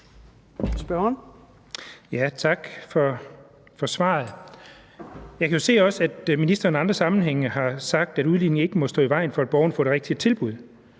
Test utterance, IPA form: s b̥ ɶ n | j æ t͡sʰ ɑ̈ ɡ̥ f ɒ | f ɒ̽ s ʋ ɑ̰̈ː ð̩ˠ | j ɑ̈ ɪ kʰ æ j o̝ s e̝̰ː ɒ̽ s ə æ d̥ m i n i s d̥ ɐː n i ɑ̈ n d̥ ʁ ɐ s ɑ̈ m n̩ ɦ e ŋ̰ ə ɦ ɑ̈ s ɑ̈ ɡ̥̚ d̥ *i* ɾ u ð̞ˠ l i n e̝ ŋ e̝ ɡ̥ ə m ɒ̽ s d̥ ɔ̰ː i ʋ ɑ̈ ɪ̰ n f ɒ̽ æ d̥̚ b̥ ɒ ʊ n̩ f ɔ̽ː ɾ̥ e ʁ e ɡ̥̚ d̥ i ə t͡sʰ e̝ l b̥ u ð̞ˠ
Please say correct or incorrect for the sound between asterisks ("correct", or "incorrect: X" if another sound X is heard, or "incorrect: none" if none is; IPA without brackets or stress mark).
incorrect: æ